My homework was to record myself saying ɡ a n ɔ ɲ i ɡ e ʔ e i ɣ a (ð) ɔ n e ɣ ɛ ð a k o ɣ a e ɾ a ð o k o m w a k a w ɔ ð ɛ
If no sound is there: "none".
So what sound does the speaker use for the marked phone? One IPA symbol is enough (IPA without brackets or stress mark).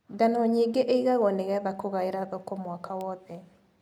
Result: ɣ